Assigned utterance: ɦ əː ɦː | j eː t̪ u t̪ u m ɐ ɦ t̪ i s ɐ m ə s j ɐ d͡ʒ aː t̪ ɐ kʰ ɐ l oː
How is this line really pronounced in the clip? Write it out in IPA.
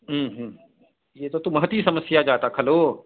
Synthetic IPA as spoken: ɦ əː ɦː | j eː t̪ o t̪ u m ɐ ɦ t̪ i s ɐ m ə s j a d͡ʒ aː t̪ a kʰ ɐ l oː